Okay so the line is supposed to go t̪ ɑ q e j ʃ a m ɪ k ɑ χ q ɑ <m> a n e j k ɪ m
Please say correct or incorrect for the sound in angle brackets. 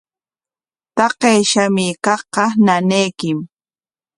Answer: incorrect